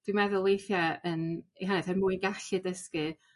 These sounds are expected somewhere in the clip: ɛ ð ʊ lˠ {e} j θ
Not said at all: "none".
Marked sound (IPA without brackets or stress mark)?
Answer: e